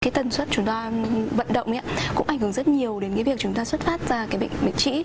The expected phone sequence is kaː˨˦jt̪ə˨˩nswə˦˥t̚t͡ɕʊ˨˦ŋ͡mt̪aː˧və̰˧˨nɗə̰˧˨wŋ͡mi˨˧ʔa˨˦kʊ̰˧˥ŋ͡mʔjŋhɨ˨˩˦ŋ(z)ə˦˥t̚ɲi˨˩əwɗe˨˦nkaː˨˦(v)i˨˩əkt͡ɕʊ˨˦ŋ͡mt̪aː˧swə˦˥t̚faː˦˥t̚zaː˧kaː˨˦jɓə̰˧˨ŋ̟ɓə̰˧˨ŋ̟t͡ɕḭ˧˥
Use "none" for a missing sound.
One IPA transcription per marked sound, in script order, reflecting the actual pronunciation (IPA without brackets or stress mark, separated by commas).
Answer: z, v